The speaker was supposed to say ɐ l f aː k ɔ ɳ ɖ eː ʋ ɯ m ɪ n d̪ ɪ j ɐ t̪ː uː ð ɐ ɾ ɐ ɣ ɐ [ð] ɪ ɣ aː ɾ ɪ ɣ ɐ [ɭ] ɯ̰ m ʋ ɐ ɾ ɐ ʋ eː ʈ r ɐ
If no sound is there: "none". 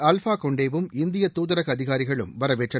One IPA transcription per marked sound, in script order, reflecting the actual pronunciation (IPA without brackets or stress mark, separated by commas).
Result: ð, ɭ